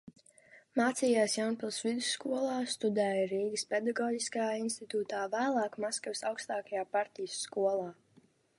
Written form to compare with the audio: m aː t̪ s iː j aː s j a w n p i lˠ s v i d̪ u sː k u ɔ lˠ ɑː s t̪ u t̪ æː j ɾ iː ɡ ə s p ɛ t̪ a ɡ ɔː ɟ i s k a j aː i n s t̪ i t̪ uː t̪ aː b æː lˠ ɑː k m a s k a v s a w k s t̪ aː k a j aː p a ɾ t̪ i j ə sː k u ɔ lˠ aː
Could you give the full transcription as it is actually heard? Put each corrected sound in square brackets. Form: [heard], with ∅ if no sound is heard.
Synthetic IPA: m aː t̪ s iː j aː s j a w n p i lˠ s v i d̪ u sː k u ɔ lˠ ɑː s t̪ u [d̪] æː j ɾ iː ɡ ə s p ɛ [d̪] a ɡ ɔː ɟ i s k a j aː i n s t̪ i t̪ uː t̪ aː [v] æː lˠ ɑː k m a s k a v s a w k s t̪ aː k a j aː p a ɾ t̪ i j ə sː k u ɔ lˠ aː